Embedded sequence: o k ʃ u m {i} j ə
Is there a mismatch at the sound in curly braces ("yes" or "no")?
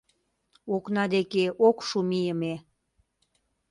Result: no